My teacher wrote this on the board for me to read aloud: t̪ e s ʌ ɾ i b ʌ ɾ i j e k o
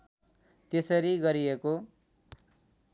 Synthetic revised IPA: t̪ e s ʌ ɾ i ɡ ʌ ɾ i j e k o